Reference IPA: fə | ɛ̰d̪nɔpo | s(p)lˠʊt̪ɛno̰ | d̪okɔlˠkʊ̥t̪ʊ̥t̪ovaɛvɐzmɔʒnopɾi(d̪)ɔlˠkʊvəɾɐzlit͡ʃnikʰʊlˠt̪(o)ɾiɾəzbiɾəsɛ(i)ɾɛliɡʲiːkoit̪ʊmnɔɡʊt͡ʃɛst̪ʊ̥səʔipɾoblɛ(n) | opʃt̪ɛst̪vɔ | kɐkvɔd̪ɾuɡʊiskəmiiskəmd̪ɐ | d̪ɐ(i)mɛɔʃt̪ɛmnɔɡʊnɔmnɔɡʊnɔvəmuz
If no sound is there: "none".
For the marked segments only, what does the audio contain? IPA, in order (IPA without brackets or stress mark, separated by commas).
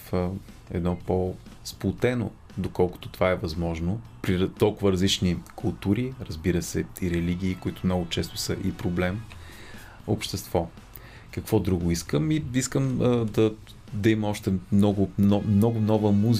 p, t̪, u, i, m, i